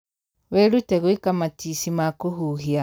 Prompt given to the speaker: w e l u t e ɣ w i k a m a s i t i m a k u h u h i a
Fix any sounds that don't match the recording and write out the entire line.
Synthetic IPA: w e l u t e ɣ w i k a m a t i s i m a k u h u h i a

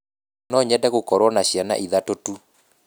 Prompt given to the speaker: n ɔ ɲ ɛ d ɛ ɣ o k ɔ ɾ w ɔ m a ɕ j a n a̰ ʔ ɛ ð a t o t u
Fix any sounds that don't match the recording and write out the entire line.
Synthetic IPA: n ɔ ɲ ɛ d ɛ ɣ o k ɔ ɾ w ɔ n a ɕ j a n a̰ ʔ i ð a t o t u

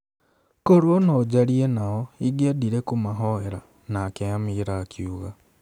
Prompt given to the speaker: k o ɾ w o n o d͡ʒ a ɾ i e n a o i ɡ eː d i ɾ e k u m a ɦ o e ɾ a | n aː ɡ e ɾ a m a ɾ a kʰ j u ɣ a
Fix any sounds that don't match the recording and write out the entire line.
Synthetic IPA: k o ɾ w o n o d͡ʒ a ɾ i e n a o i ɡ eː d i ɾ e k u m a ɦ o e ɾ a | n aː k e a m i ɾ a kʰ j u ɣ a

